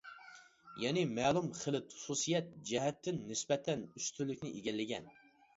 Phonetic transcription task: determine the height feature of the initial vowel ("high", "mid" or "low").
mid